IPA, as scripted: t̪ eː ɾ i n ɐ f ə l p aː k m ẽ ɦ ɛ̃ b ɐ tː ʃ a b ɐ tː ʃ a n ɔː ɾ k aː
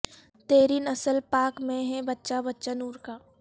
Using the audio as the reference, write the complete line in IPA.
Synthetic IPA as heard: t̪ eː ɾ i n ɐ s ə l p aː k m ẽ ɦ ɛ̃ b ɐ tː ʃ a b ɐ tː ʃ a n uː ɾ k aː